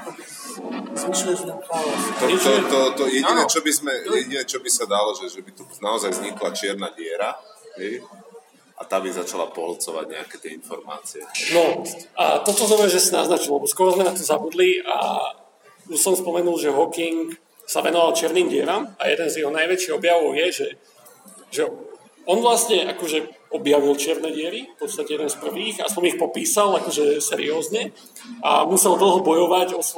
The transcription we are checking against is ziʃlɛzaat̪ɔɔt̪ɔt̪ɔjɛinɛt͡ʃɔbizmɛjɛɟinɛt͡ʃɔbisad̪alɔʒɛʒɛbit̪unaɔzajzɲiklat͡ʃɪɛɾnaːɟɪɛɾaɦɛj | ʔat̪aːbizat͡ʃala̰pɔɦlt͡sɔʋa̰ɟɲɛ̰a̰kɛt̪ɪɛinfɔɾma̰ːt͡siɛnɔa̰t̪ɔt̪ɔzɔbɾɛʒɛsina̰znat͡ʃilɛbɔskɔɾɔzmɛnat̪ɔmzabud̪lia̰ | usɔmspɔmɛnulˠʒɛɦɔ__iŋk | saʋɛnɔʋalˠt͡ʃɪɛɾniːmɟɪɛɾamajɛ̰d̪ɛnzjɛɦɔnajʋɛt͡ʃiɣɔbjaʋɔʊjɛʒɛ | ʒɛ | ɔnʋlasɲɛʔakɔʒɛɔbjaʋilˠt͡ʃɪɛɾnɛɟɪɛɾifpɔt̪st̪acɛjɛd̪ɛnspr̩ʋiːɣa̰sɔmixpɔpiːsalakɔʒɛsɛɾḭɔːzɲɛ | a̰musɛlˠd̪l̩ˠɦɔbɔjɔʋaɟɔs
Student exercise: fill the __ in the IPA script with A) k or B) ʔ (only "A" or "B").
A